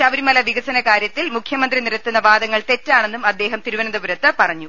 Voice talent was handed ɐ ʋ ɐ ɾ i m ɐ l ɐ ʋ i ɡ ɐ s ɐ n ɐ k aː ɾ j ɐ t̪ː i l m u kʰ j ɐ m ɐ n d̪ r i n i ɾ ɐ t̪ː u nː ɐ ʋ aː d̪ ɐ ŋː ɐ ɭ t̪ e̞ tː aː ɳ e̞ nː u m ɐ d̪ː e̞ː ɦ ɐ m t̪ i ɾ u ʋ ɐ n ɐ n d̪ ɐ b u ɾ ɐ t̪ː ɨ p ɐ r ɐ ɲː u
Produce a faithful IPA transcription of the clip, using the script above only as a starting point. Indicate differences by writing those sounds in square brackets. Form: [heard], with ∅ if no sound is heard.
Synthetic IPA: ɐ ʋ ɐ ɾ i m ɐ l ɐ ʋ i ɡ ɐ s ɐ n ɐ k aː ɾ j ɐ t̪ː i l m u kʰ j ɐ m ɐ n d̪ r i n i ɾ ɐ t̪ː u nː ɐ ʋ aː d̪ ɐ ŋː ɐ ɭ t̪ e̞ tː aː ɳ e̞ nː u m ɐ d̪ː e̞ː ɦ ɐ m t̪ i ɾ u ʋ ɐ n ɐ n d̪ ɐ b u ɾ ɐ t̪ː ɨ p ɐ r ɐ ɲː u